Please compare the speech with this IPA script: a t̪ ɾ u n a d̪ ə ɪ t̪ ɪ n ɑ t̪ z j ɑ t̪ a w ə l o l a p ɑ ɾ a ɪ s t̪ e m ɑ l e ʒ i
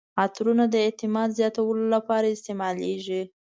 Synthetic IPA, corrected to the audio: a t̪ ɾ u n a d̪ ə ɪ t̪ ɪ m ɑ d̪ z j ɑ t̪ a w ə l o l a p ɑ ɾ a ɪ s t̪ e m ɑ l e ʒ i